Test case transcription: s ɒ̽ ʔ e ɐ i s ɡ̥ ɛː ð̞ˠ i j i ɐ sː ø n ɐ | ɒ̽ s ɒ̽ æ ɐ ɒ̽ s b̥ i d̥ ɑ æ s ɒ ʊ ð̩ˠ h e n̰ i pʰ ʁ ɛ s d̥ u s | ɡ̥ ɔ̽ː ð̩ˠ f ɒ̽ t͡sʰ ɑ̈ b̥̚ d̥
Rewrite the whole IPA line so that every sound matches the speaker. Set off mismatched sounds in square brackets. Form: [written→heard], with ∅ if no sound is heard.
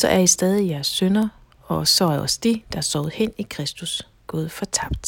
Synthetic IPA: s ɒ̽ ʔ [e→æ] ɐ i s [ɡ̥→d̥] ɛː ð̞ˠ i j [i→æ] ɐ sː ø n ɐ | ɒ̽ s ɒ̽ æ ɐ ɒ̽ s [b̥→d̥] i d̥ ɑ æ s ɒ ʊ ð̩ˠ h e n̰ i [pʰ→kʰ] ʁ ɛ s d̥ u s | ɡ̥ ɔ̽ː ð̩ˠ f ɒ̽ t͡sʰ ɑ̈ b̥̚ d̥